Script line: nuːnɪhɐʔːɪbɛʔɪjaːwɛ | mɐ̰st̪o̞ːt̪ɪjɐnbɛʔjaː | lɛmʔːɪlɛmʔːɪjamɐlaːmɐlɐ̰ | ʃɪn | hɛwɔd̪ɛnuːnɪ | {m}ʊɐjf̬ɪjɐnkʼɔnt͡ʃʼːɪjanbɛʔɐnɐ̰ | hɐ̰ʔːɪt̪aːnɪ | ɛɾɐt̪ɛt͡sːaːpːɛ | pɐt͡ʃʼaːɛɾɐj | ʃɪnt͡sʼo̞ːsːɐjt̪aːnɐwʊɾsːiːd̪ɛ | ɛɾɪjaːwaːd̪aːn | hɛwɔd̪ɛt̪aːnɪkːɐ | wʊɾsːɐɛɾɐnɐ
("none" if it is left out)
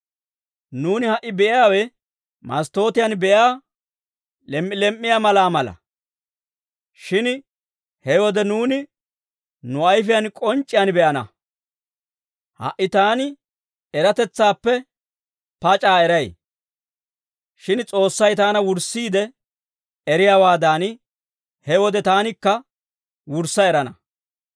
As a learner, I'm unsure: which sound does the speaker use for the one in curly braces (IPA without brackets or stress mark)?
n